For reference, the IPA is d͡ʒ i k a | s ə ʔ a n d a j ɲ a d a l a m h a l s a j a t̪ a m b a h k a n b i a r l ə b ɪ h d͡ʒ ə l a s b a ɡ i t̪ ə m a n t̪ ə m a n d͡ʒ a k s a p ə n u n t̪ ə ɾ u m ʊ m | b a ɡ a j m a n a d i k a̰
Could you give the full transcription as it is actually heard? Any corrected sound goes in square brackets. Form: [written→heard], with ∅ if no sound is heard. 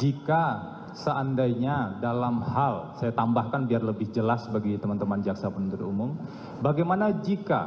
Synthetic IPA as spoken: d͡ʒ i k a | s ə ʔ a n d a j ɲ a d a l a m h a l s a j a t̪ a m b a h k a n b i a r l ə b ɪ h d͡ʒ ə l a s b a ɡ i t̪ ə m a n t̪ ə m a n d͡ʒ a k s a p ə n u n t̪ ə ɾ u m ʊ m | b a ɡ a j m a n a [d→d͡ʒ] i k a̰

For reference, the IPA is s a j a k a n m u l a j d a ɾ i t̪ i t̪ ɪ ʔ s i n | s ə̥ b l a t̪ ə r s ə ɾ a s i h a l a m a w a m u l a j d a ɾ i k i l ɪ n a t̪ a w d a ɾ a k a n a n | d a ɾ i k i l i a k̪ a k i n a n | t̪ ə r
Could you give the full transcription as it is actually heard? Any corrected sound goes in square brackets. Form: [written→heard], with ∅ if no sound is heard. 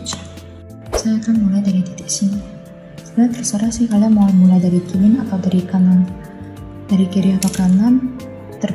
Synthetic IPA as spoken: s a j a k a n m u l a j d a ɾ i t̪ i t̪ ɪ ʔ s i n | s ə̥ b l a t̪ ə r s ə ɾ a s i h a l a m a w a m u l a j d a ɾ i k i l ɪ n a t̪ a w d a ɾ [a→i] k a n a n | d a ɾ i k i [l→ɾ] i a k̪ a k [i→a] n a n | t̪ ə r

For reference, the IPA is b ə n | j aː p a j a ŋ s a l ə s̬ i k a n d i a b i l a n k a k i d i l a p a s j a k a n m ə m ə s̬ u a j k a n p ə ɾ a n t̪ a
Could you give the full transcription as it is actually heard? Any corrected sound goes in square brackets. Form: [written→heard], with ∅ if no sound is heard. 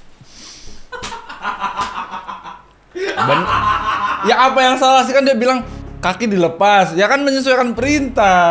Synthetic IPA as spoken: b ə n | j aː p a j a ŋ s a l [ə→a] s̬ i k a n d i a b i l a [n→ŋ] k a k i d i l [a→ə] p a s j a k a n m ə [m→ɲ] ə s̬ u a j k a n p ə ɾ [a→i] n t̪ a

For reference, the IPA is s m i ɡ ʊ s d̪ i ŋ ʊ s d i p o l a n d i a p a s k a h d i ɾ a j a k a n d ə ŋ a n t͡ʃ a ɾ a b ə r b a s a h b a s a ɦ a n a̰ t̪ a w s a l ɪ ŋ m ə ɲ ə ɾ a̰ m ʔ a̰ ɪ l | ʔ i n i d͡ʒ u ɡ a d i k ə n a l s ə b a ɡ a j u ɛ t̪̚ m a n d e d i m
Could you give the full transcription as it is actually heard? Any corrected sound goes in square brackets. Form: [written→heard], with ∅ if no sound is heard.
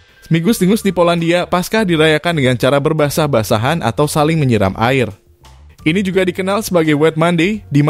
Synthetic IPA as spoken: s m i ɡ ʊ s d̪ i ŋ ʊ s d i p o l a n d i a p a s k a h d i ɾ a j a k a n d ə ŋ a n t͡ʃ a ɾ a b ə r b a s a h b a s a ɦ a n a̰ t̪ a w s a l ɪ ŋ m ə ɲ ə ɾ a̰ m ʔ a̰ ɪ [l→r] | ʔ i n i d͡ʒ u ɡ a d i k ə n a l s ə b a ɡ a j [u→w] ɛ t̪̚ m a n d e d i m

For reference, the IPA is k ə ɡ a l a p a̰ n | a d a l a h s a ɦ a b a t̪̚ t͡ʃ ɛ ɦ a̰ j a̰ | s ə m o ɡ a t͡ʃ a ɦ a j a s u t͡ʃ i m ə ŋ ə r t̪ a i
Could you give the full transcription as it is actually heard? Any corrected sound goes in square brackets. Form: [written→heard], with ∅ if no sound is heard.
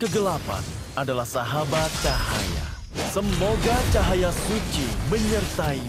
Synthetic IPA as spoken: k ə ɡ [a→ə] l a p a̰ n | a d a l a h s a ɦ a b a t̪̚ t͡ʃ [ɛ→a] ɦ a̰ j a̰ | s ə m o ɡ a t͡ʃ a ɦ a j a s u t͡ʃ i m ə [ŋ→ɲ] ə r t̪ a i

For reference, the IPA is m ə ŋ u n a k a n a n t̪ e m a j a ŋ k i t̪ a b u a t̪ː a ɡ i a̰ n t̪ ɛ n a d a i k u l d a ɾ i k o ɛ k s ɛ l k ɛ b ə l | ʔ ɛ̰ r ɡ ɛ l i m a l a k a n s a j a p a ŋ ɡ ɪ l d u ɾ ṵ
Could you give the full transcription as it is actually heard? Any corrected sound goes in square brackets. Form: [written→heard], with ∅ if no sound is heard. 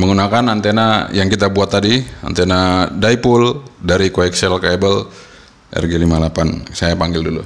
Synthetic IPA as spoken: m ə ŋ u n a k a n a n t̪ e [m→n] a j a ŋ k i t̪ a b u a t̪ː a [ɡ→d] i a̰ n t̪ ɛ n a d a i [k→p] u l d a ɾ i k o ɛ k s ɛ l k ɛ b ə l | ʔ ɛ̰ r ɡ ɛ l i m a l a [k→p] a n s a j a p a ŋ ɡ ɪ l d u [ɾ→l] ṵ

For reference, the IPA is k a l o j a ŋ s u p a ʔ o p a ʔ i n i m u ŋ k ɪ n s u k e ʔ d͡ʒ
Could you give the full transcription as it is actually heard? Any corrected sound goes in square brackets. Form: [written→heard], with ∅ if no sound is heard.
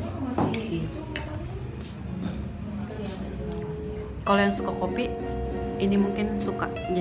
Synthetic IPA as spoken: k a l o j a ŋ s u [p→k] a [ʔ→k] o p [a→i] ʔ i n i m u ŋ k ɪ n s u k [e→a] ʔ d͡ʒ

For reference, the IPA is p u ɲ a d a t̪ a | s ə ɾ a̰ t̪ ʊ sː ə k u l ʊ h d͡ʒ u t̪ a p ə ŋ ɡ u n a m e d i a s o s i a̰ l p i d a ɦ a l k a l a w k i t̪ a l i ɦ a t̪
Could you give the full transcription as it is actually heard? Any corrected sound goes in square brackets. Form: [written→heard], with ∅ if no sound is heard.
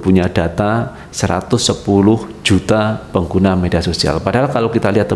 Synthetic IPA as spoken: p u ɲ a d a t̪ a | s ə ɾ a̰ t̪ ʊ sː ə [k→p] u l ʊ h d͡ʒ u t̪ a p ə ŋ ɡ u n a m e d i a s o s i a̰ l p [i→a] d a ɦ a l k a l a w k i t̪ a l i ɦ a t̪

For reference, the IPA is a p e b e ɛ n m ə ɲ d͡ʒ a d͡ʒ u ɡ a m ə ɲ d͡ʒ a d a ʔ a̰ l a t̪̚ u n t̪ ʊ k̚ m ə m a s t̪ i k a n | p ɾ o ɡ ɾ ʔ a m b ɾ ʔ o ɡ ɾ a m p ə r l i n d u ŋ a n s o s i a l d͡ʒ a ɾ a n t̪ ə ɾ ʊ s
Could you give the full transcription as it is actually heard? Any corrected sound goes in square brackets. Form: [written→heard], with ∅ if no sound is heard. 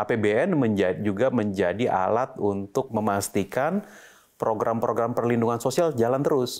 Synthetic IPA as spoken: a p e b e ɛ n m ə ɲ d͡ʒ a d͡ʒ u ɡ a m ə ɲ d͡ʒ a d [a→i] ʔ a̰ l a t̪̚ u n t̪ ʊ k̚ m ə m a s t̪ i k a n | p ɾ o ɡ ɾ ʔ a m [b→p] ɾ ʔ o ɡ ɾ a m p ə r l i n d u ŋ a n s o s i a l d͡ʒ a [ɾ→l] a n t̪ ə ɾ ʊ s

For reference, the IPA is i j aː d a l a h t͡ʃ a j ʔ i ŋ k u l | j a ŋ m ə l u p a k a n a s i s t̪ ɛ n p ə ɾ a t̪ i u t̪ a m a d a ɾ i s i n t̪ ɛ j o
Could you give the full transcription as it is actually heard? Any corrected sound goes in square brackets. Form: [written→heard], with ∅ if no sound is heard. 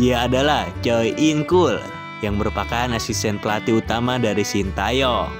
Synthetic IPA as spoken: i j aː d a l a h t͡ʃ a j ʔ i ŋ k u l | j a ŋ m ə [l→ɾ] u p a k a n a s i s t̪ ɛ n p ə [ɾ→l] a t̪ i u t̪ a m a d a ɾ i s i n t̪ [ɛ→a] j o

